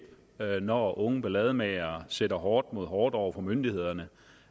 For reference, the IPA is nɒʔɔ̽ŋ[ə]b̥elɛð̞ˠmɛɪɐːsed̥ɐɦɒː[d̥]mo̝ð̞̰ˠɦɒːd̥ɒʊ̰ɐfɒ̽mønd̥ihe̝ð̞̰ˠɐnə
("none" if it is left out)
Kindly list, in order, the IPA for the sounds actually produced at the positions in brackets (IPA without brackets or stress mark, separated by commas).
ə, d̥